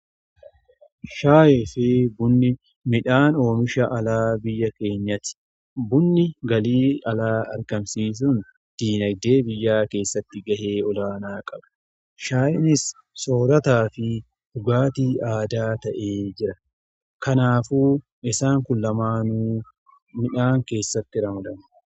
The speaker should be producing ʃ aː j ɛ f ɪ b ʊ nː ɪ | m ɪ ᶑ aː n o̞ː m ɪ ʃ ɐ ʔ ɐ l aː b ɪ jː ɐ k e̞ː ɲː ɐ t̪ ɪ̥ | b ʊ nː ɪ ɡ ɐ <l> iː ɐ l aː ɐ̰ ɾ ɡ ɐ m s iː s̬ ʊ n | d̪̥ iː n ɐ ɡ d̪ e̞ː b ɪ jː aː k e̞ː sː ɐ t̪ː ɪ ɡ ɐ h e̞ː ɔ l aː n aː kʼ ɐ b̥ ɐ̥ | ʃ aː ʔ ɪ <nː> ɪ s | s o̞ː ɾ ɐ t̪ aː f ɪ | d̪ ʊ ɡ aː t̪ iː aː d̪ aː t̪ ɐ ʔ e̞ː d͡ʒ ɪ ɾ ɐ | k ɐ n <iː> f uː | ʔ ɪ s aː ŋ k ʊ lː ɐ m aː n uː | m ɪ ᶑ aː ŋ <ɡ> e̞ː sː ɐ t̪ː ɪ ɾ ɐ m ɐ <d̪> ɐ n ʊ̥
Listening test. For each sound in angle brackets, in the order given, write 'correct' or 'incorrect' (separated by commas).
correct, incorrect, incorrect, incorrect, correct